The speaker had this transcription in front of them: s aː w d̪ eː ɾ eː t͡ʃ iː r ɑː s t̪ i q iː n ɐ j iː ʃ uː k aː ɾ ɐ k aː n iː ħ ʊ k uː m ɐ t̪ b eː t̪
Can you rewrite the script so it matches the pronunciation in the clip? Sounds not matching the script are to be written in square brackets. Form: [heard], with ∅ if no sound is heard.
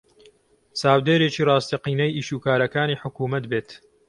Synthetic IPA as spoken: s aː w d̪ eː ɾ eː t͡ʃ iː r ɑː s t̪ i q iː n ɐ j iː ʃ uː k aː ɾ ɐ k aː n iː ħ ʊ k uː m ɐ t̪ b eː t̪